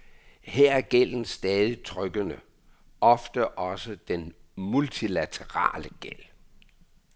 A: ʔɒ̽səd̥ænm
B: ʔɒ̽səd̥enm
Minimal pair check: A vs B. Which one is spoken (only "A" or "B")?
B